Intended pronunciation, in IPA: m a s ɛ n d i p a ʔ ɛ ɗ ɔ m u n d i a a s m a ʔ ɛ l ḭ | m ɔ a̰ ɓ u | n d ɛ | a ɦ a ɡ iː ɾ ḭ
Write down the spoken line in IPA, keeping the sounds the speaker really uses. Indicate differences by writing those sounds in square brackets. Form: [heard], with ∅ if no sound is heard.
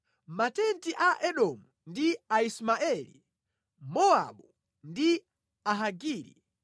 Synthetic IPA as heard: m a [t] ɛ n [t] i [ʔ] a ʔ ɛ ɗ ɔ m u n d i a [i] s m a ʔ ɛ l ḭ | m ɔ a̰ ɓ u | n d [i] | a ɦ a ɡ iː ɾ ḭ